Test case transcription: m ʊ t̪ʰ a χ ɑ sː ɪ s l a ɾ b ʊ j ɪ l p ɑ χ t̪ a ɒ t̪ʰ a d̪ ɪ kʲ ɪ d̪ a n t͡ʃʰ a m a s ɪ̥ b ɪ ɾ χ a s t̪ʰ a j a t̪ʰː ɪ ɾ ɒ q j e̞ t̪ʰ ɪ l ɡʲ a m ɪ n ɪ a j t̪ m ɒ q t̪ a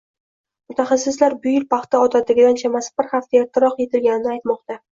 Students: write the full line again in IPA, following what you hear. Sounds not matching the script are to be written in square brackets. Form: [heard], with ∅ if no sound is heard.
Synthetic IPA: m ʊ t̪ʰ a χ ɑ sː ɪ s l a ɾ b ʊ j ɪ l p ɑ χ t̪ a ɒ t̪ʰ a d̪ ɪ [ɡʲ] ɪ d̪ a n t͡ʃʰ a m a s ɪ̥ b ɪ ɾ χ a [f] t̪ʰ a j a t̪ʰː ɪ ɾ ɒ q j e̞ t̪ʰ ɪ l ɡʲ a [n] ɪ n ɪ a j t̪ m ɒ q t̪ a